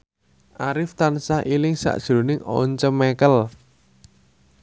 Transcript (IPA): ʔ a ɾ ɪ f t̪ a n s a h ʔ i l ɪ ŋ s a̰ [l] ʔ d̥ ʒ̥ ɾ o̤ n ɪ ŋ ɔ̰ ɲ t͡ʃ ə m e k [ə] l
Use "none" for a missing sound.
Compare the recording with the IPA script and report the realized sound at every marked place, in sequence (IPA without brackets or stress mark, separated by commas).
none, ə